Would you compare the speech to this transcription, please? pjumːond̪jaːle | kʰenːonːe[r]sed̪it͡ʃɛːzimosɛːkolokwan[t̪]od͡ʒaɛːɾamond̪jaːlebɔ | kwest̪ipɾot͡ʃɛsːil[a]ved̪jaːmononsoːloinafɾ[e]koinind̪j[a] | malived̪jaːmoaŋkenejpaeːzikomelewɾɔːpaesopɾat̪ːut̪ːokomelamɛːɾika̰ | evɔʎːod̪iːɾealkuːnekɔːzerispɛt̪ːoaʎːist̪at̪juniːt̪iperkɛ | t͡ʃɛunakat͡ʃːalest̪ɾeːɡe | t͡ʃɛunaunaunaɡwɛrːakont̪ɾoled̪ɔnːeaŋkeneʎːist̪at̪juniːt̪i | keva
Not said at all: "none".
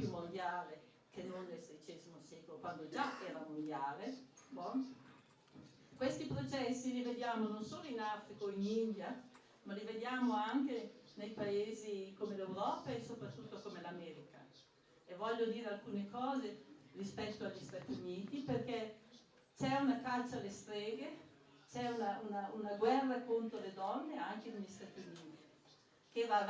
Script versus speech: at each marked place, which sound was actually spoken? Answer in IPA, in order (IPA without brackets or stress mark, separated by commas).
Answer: l, d̪, i, i, a